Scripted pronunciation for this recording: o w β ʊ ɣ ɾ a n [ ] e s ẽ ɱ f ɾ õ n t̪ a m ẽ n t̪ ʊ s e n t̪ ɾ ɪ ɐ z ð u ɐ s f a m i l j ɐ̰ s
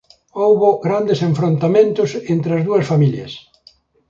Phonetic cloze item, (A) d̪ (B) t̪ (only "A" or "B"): A